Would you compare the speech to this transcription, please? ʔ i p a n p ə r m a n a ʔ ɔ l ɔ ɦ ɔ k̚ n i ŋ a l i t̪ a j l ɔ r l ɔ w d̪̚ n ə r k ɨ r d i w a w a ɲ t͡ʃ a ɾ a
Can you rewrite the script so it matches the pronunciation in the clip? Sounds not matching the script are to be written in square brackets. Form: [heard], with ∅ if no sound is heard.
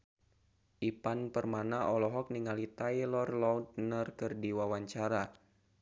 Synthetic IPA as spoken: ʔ i p a n p ə r m a n a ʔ ɔ l ɔ ɦ ɔ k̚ n i ŋ a l i t̪ a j l ɔ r l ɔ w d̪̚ n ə r k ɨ r d i w a w a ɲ t͡ʃ a ɾ a